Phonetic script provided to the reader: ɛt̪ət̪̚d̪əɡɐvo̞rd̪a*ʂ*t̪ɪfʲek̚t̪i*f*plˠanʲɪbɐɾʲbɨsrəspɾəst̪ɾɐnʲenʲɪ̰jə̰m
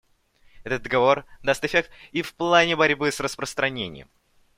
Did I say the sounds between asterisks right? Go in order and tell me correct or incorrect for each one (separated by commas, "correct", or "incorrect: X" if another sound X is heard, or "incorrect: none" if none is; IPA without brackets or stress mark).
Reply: incorrect: s, correct